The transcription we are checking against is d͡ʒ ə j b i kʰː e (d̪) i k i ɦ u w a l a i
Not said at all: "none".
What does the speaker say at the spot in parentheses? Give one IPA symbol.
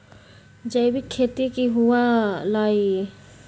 t̪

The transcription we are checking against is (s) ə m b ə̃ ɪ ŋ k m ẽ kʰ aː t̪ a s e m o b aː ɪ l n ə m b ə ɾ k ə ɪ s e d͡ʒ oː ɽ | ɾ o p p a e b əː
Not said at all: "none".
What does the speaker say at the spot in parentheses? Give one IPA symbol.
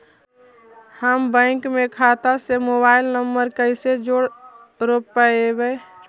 h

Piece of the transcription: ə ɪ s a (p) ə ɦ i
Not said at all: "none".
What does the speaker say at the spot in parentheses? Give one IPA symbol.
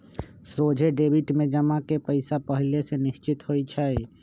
p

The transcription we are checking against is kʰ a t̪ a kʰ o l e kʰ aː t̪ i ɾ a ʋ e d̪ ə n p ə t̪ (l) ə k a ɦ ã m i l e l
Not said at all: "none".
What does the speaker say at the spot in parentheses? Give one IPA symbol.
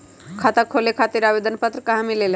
ɾ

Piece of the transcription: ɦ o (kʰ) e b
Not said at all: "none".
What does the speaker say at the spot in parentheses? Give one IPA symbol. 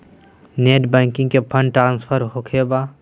kʰ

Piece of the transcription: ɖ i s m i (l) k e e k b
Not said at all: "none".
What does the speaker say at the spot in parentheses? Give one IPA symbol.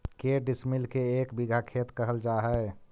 l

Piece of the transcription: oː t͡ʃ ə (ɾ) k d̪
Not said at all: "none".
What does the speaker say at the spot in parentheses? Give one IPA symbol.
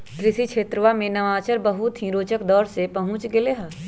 none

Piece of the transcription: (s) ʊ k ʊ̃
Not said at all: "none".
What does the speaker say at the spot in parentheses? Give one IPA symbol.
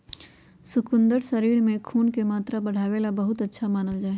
s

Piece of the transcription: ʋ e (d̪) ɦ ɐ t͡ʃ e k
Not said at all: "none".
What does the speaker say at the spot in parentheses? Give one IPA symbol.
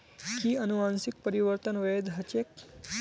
d̪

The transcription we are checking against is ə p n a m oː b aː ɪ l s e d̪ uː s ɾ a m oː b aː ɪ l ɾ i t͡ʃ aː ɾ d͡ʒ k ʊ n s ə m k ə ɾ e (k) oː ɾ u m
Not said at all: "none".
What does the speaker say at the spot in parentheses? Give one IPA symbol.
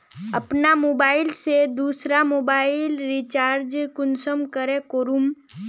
k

